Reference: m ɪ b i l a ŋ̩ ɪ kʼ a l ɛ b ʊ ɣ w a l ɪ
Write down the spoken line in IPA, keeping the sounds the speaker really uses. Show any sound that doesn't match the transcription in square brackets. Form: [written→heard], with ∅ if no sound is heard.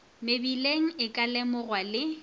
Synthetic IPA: m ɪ b i l [a→e] ŋ̩ ɪ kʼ a l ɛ [b→m] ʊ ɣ w a l ɪ